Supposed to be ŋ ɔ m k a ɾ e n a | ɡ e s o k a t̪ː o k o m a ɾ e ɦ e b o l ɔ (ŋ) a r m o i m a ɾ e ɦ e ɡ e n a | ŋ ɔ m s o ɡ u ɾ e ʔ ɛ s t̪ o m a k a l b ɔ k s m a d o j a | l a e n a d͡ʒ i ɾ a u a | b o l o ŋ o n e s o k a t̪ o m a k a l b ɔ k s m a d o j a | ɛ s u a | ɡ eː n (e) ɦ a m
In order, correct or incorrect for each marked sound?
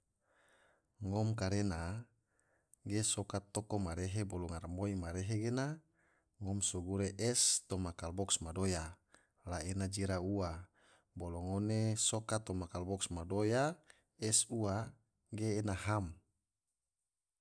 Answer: correct, incorrect: a

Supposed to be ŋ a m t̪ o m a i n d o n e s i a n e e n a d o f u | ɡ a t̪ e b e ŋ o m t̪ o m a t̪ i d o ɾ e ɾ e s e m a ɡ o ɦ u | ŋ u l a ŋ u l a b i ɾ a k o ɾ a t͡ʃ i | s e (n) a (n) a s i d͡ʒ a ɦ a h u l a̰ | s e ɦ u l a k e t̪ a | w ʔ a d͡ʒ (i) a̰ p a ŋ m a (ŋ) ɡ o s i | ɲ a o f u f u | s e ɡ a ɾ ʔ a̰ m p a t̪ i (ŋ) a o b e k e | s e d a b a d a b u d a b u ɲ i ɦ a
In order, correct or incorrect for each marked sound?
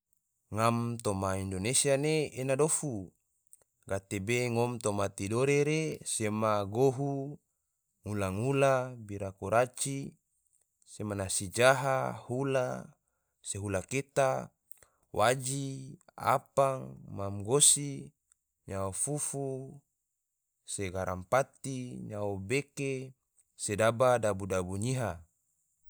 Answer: incorrect: m, correct, correct, incorrect: m, incorrect: ɲ

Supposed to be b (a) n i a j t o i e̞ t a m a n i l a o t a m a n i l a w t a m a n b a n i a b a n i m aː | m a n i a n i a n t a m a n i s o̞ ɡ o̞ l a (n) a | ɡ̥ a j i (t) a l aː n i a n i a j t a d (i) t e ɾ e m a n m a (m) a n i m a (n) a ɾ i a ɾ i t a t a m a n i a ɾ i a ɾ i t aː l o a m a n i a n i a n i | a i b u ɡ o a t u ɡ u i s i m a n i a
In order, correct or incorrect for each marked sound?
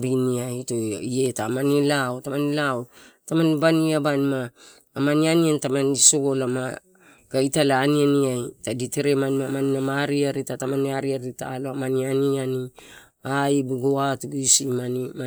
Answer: incorrect: i, incorrect: m, correct, correct, correct, incorrect: m

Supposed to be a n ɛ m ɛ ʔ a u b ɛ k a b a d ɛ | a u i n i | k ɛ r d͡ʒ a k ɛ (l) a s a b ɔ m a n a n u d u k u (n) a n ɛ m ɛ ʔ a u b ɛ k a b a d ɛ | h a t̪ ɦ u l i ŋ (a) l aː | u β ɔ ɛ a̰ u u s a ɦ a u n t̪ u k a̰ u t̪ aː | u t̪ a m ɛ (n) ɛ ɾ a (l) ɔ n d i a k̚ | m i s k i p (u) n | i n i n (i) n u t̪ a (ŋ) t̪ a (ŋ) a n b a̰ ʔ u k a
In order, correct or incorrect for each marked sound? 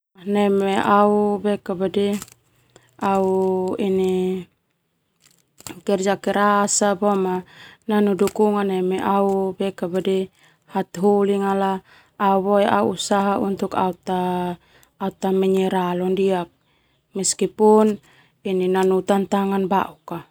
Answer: incorrect: ɾ, incorrect: ŋ, correct, incorrect: ɲ, correct, correct, incorrect: a, incorrect: n, correct

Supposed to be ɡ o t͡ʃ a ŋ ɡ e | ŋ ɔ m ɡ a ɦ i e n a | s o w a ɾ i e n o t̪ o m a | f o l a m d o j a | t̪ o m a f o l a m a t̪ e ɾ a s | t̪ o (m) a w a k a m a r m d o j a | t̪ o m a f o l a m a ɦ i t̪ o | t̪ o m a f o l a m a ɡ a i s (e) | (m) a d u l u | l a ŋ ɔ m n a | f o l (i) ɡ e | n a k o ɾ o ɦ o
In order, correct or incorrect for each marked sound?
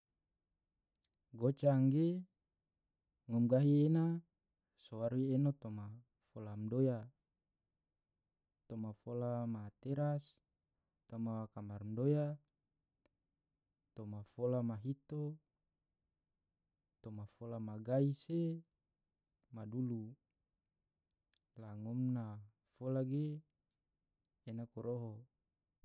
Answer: correct, correct, correct, incorrect: a

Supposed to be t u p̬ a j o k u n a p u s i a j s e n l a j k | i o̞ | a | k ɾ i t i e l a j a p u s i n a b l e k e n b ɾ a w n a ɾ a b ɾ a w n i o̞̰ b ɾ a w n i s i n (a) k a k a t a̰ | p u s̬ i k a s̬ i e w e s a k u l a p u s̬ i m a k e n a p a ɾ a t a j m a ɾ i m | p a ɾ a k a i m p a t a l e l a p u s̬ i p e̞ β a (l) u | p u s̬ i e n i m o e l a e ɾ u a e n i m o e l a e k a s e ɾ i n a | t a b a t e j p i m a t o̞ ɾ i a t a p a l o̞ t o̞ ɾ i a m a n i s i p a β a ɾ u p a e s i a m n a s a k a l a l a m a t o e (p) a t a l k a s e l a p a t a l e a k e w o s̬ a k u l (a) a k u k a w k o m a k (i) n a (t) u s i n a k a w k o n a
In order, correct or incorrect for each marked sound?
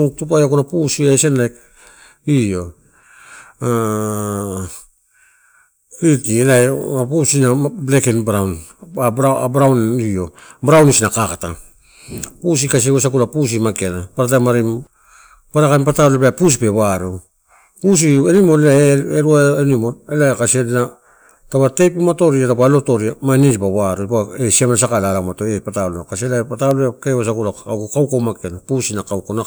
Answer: correct, incorrect: ɾ, correct, correct, incorrect: e, incorrect: p

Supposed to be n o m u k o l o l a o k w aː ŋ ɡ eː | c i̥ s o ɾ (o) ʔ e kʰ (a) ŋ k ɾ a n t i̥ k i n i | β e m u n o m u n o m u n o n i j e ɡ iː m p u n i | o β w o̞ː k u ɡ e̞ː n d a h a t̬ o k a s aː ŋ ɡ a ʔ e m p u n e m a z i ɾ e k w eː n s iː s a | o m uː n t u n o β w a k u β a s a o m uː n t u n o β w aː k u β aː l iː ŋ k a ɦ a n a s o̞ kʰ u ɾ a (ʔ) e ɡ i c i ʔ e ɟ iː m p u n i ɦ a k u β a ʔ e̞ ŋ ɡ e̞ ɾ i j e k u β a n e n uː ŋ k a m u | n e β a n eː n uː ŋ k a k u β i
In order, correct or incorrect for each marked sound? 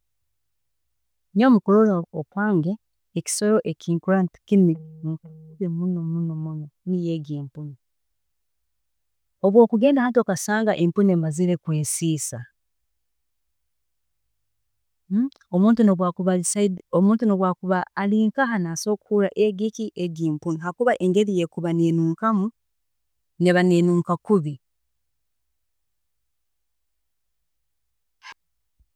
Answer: correct, incorrect: i, correct

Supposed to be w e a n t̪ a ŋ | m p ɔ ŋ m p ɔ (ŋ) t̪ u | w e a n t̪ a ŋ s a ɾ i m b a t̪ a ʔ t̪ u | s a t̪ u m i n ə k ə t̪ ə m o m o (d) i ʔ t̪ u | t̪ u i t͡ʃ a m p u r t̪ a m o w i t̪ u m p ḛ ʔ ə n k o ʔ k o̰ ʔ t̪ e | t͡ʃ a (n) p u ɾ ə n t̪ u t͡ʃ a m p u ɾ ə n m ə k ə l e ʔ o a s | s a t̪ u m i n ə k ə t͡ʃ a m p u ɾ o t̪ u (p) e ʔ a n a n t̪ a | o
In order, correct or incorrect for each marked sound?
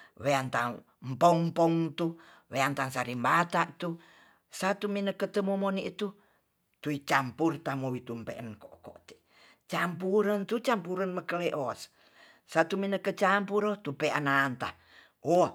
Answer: correct, incorrect: n, incorrect: m, correct

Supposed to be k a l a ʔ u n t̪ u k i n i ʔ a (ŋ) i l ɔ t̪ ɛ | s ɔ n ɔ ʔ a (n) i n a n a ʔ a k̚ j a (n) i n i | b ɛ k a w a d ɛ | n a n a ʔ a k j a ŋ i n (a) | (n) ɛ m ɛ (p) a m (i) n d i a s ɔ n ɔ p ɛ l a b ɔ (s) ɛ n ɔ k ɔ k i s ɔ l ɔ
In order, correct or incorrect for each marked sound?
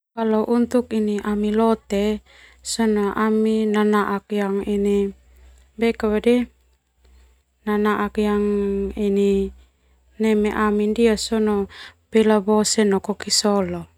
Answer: incorrect: m, incorrect: m, incorrect: ŋ, incorrect: i, correct, incorrect: ʔ, correct, correct

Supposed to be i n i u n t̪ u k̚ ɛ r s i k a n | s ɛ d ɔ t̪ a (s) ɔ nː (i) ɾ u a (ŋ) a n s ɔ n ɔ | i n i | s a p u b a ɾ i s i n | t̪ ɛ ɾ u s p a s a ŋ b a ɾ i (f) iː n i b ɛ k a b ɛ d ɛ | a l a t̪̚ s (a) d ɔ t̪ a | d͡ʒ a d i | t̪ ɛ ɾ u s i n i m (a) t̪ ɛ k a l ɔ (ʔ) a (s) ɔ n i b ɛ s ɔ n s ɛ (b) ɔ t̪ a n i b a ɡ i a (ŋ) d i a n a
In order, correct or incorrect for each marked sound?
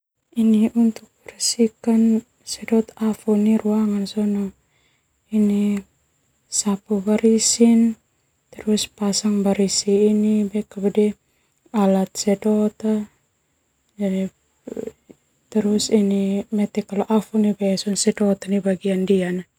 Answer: incorrect: f, correct, correct, incorrect: s, incorrect: ɛ, incorrect: ɛ, correct, incorrect: f, incorrect: d, incorrect: n

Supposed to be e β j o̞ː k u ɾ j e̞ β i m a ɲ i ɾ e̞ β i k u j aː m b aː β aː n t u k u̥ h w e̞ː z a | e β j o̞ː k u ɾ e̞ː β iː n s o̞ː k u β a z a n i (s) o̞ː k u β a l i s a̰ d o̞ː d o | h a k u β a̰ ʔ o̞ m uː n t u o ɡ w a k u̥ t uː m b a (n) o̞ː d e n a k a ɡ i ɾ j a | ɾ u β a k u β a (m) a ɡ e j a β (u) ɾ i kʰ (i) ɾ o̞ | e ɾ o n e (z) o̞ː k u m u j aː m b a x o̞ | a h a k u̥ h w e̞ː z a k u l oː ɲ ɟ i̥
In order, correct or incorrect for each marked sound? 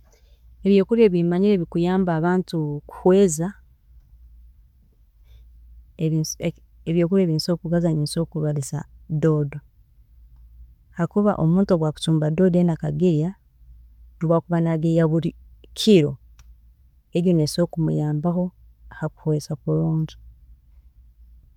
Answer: correct, incorrect: d, incorrect: n, correct, correct, incorrect: s

